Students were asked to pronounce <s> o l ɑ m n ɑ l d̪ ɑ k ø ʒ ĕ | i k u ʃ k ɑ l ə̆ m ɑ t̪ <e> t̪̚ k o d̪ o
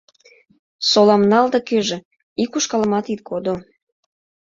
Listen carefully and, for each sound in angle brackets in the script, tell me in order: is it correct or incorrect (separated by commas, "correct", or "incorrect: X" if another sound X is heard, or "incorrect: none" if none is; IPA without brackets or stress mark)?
correct, incorrect: i